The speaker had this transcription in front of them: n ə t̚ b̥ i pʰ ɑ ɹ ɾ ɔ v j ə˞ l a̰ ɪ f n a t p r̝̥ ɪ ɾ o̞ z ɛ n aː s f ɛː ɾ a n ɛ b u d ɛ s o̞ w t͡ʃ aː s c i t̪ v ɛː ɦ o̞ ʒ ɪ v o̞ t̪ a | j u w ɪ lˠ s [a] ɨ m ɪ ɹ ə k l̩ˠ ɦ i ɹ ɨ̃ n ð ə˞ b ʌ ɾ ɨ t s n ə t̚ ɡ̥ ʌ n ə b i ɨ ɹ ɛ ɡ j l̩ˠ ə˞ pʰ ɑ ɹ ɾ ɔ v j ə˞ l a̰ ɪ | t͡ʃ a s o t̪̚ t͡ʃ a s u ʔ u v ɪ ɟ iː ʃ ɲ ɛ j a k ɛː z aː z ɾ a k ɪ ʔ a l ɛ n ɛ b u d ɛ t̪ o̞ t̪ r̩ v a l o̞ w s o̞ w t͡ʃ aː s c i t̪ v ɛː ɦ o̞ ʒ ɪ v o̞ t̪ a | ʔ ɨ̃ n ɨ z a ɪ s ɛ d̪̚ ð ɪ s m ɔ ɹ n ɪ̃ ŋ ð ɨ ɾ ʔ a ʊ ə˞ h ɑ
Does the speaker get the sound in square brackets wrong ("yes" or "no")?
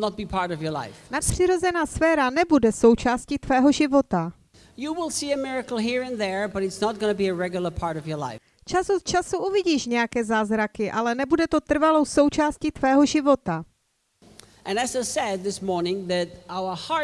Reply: yes